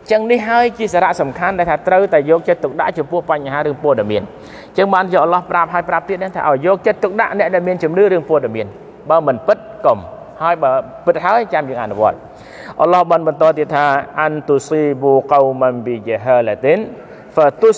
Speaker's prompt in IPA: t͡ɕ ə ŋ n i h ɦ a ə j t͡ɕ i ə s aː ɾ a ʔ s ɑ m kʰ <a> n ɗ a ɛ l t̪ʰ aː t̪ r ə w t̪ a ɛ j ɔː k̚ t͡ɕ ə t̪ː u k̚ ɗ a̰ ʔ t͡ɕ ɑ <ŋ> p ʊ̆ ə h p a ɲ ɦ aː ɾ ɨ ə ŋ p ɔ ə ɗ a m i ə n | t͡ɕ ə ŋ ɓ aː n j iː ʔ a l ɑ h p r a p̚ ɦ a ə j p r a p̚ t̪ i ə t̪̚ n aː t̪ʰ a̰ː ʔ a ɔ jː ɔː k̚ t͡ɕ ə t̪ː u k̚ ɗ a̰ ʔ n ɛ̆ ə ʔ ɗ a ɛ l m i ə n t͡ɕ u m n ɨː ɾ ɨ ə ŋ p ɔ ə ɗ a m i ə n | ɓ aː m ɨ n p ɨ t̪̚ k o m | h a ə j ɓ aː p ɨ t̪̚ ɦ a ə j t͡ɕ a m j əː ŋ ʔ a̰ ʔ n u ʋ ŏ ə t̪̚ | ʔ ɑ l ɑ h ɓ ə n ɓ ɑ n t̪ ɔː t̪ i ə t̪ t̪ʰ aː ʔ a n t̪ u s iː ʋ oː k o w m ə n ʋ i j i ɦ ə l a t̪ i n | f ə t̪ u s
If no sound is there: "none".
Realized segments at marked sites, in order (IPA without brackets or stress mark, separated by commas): a, m